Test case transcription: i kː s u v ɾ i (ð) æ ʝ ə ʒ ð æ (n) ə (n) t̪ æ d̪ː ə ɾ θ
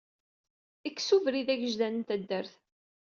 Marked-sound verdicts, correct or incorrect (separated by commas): correct, correct, correct